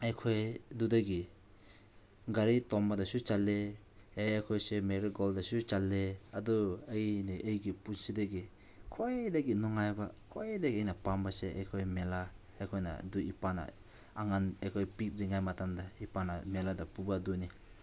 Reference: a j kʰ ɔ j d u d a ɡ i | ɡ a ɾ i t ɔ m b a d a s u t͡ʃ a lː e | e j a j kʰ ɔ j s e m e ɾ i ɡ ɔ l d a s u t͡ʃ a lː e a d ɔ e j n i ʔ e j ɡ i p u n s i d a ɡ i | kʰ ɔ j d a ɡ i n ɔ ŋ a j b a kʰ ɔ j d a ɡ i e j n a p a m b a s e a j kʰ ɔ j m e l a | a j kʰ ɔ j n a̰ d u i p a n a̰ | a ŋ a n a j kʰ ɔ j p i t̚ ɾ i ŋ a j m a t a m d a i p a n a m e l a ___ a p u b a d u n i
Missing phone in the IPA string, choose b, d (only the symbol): d